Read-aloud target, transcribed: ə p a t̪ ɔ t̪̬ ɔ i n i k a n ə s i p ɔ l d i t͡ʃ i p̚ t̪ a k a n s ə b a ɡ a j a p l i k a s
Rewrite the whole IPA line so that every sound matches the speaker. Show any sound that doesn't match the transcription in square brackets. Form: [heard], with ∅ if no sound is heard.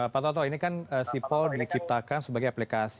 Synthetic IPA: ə p a t̪ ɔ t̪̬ ɔ i n i k a n ə s i p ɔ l d i t͡ʃ i p̚ t̪ a k a n s ə b a ɡ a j a p l i k a s